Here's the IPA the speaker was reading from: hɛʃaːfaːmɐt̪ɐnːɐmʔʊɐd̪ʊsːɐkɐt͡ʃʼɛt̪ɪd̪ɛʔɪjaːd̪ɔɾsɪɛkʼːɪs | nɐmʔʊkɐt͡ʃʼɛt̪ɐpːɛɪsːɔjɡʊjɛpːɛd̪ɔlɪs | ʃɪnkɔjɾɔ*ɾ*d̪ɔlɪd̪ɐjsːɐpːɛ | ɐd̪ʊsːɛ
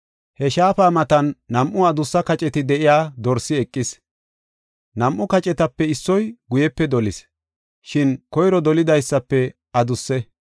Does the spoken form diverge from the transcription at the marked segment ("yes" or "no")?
yes